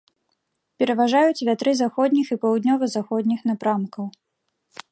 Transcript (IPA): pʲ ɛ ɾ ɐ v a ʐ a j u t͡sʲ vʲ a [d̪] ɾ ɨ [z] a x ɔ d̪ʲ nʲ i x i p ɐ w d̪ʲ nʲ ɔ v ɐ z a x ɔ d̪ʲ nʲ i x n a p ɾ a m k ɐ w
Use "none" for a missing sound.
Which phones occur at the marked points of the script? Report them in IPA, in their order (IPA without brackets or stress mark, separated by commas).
t̪, z